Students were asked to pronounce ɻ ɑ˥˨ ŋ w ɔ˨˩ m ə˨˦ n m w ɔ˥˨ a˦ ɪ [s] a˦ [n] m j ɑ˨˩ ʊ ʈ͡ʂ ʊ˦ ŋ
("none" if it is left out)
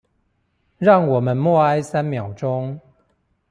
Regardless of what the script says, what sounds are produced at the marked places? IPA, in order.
s, n

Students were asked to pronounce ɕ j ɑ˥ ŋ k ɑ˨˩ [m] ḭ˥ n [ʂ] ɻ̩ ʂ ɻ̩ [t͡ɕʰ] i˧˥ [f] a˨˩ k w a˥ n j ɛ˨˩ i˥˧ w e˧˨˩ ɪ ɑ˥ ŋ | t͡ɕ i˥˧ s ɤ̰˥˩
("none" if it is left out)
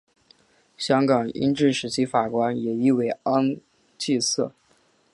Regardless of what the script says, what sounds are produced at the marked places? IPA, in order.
ŋ, ʈ͡ʂ, t͡ɕʰ, f

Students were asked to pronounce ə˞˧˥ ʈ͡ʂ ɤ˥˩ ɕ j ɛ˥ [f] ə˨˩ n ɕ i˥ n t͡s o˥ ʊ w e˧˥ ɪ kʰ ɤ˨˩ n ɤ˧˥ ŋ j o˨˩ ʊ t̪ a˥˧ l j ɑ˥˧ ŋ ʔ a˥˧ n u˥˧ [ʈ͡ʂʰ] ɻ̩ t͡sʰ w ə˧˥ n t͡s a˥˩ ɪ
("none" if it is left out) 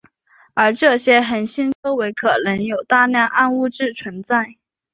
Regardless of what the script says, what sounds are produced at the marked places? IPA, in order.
x, ʈ͡ʂ

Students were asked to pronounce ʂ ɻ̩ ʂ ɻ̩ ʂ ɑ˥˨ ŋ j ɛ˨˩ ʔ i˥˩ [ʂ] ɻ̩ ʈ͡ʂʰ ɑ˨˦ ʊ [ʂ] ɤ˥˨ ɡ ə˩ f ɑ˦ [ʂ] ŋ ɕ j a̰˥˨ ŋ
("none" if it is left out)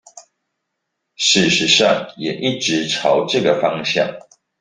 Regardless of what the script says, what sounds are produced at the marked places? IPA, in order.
ʈ͡ʂ, ʈ͡ʂ, none

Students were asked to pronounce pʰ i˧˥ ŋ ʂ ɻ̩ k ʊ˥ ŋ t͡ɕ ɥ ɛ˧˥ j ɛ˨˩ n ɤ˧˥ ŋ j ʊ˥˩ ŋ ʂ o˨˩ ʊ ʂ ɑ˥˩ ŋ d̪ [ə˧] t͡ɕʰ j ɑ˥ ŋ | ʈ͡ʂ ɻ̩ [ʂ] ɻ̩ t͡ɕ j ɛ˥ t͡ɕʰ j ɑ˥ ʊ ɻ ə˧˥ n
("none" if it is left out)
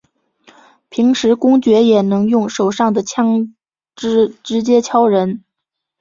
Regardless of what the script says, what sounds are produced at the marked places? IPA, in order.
ə˩, ʈ͡ʂ

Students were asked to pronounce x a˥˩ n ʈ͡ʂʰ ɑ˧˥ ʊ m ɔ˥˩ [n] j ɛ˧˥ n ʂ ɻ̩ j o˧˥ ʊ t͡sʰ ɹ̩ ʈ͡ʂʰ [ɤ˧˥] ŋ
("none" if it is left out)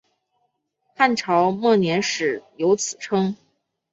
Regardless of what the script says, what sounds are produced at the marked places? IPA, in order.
n, ɤ˥

